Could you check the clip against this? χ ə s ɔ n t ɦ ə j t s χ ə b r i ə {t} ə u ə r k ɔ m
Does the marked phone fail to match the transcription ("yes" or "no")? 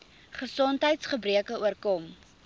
yes